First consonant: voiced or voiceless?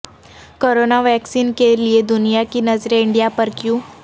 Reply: voiceless